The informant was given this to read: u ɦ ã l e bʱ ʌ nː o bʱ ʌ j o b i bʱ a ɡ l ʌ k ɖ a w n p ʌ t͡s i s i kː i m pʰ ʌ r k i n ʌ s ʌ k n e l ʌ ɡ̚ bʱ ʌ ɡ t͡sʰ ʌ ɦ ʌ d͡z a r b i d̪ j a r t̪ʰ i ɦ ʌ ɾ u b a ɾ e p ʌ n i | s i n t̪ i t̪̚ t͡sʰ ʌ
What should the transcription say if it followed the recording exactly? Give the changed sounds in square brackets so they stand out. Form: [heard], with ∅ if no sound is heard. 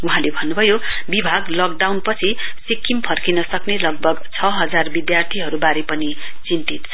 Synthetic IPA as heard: u ɦ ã l e bʱ ʌ nː [u] bʱ ʌ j o b i bʱ a ɡ l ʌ k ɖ a w n p ʌ [t͡sʰ] i s i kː i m pʰ ʌ r k i n ʌ s ʌ k n e l ʌ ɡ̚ bʱ ʌ ɡ t͡sʰ ʌ ɦ ʌ d͡z a r b i d̪ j a r t̪ʰ i ɦ ʌ ɾ u b a ɾ e p ʌ n i | [t͡s] i n t̪ i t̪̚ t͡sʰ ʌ